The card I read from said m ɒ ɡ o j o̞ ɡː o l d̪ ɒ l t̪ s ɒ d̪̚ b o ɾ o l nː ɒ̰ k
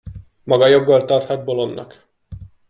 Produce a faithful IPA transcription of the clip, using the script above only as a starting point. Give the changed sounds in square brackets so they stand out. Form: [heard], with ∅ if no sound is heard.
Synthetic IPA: m ɒ ɡ [ɒ] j o̞ ɡː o l [t̪] ɒ [r] t̪ [h] ɒ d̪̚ b o [l] o [∅] nː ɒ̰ k